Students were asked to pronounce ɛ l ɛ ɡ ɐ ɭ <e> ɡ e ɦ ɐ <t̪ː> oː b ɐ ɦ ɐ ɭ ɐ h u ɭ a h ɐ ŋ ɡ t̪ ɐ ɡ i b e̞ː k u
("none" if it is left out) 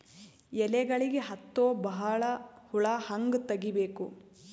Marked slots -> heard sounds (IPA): i, t̪ː

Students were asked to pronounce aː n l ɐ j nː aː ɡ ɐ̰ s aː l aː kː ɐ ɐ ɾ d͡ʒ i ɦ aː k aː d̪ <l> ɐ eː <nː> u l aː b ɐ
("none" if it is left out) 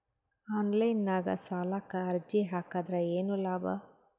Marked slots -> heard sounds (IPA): ɾ, n

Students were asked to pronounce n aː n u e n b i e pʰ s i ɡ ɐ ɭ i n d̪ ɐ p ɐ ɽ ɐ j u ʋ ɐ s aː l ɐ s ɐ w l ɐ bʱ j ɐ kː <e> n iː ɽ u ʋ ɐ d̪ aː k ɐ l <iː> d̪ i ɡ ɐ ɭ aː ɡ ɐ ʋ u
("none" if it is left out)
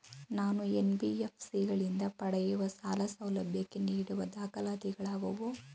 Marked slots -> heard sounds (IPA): e, aː

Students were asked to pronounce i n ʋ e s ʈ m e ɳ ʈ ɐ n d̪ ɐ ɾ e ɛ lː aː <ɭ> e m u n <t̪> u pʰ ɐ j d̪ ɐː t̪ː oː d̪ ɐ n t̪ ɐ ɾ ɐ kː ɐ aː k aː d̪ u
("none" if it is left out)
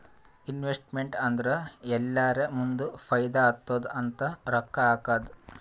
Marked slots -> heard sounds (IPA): ɾ, d̪

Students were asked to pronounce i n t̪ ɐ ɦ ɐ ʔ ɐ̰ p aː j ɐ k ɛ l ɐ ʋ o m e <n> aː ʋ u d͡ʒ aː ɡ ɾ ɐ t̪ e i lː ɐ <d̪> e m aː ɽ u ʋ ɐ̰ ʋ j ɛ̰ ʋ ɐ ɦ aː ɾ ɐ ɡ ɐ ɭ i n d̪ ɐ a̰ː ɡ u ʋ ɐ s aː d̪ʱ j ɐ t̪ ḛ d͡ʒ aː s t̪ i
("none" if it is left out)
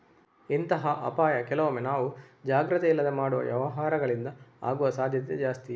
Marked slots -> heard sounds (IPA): n, d̪

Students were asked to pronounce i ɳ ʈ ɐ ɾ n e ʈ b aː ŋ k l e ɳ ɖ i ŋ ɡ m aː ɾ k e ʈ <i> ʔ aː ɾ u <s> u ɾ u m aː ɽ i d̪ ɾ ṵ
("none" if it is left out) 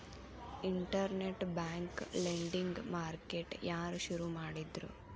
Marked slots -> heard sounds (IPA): j, ʃ

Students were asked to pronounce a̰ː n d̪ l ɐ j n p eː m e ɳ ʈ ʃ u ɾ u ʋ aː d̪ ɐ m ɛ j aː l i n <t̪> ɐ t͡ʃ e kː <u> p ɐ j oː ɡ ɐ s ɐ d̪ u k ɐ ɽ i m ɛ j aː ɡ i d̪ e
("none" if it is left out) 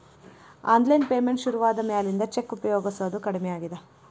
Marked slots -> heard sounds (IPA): d̪, u

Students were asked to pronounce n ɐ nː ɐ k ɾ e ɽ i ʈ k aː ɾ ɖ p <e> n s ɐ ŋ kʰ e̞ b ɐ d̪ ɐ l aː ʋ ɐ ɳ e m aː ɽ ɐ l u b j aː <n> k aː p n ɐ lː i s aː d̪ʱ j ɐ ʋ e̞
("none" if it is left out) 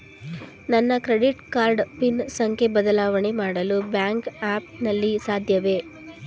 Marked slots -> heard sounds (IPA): i, ŋ

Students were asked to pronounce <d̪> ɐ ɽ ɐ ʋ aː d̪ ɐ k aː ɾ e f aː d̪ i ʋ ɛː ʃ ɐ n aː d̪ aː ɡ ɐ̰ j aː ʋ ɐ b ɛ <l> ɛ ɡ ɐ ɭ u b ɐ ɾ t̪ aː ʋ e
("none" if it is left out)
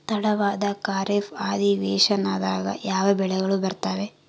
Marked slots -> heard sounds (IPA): t̪, ɭ

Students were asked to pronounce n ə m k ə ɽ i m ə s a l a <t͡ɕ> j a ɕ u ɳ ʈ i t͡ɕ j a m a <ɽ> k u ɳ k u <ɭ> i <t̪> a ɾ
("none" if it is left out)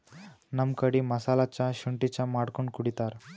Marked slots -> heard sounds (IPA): t͡ɕ, ɽ, ɽ, t̪

